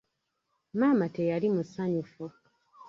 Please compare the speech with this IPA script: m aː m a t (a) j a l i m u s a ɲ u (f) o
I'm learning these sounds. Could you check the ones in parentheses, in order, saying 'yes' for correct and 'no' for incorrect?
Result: no, yes

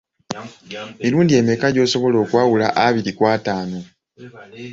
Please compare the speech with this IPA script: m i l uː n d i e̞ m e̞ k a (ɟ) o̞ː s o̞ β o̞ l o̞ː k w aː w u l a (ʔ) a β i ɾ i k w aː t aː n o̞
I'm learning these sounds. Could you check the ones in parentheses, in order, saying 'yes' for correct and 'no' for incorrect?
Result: yes, yes

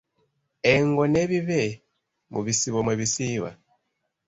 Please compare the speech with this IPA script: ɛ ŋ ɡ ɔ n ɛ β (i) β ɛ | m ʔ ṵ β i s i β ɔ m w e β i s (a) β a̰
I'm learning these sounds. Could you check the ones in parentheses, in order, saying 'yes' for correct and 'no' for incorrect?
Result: yes, no

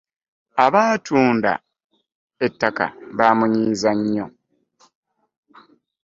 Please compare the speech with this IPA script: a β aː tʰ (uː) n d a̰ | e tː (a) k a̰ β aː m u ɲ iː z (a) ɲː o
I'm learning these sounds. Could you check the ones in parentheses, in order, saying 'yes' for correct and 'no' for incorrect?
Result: yes, yes, yes

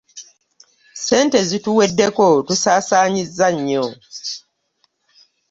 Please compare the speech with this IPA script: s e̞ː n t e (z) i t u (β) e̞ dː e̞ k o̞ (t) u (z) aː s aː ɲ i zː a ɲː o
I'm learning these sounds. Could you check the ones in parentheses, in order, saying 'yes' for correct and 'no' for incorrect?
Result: yes, no, yes, no

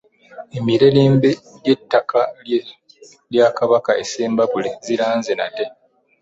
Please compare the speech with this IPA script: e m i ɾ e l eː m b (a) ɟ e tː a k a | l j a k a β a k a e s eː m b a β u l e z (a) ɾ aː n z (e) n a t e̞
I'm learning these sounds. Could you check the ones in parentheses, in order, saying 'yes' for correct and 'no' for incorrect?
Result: no, no, yes

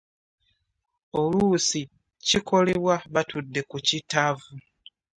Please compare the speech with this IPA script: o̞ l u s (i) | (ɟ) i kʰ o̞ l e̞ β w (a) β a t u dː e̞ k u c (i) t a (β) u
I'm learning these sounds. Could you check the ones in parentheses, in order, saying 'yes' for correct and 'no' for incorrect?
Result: yes, no, yes, yes, no

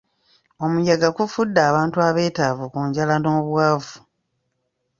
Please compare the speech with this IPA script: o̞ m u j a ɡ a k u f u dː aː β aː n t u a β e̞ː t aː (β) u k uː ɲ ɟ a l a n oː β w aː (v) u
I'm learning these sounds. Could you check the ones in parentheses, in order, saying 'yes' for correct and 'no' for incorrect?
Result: no, yes

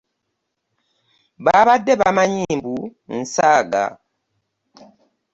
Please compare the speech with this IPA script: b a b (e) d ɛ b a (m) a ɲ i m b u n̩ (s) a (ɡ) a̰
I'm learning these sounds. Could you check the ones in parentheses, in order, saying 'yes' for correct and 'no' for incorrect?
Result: no, yes, yes, yes

